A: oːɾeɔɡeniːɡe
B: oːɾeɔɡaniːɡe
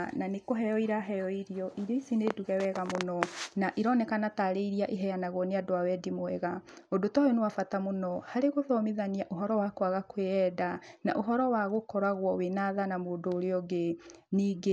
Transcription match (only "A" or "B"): A